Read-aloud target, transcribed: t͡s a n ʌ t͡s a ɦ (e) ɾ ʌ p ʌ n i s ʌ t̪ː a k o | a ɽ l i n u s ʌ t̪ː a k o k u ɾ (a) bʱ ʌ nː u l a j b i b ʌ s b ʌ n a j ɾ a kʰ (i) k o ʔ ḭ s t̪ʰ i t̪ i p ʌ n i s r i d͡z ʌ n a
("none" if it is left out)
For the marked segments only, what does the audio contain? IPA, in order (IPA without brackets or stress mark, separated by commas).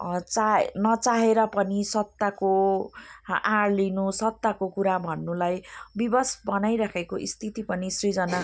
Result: e, a, e